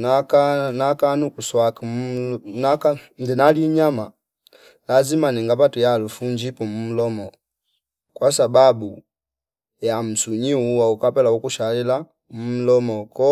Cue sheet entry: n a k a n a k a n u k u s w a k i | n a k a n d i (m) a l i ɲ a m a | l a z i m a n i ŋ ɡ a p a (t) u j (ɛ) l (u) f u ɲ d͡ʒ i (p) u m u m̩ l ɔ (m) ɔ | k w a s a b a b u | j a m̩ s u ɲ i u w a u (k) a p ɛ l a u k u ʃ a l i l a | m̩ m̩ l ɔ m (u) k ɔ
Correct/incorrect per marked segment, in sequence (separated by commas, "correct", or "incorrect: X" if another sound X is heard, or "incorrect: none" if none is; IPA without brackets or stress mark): incorrect: n, correct, incorrect: a, correct, correct, correct, correct, incorrect: ɔ